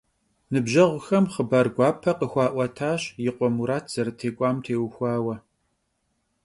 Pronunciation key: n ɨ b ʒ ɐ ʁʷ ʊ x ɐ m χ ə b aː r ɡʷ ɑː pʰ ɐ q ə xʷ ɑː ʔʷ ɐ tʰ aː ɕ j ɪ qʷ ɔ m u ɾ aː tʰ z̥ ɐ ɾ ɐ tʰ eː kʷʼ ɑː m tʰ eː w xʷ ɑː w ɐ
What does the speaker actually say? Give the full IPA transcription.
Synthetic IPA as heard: n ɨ b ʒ ɐ ʁʷ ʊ x ɐ m χ ə b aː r ɡʷ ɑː pʰ ɐ q ə xʷ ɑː ʔʷ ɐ tʰ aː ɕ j ɪ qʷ ɔ m u ɾ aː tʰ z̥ ɐ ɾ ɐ tʰ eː kʷʼ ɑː m tʰ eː w xʷ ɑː w ɐ